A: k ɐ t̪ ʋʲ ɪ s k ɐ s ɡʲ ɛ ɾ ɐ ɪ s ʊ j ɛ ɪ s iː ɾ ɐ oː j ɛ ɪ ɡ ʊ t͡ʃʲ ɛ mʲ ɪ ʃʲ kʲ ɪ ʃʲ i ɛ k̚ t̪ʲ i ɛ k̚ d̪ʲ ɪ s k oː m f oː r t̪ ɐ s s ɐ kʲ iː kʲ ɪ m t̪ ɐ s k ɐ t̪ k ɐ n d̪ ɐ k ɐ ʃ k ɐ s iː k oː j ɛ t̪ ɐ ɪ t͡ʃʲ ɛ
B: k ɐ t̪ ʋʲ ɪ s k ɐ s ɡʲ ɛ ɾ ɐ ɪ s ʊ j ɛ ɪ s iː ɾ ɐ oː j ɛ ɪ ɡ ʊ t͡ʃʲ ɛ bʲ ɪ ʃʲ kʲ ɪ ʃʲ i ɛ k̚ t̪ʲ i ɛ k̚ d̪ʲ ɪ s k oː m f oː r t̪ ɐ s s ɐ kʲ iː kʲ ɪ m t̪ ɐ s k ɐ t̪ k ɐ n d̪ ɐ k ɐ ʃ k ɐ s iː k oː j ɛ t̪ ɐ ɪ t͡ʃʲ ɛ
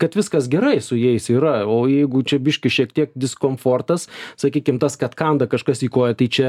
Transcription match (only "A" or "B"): B